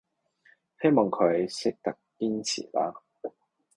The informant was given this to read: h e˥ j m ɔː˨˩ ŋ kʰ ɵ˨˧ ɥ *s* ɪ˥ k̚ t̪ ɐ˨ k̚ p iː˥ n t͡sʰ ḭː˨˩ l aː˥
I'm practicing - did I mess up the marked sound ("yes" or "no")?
no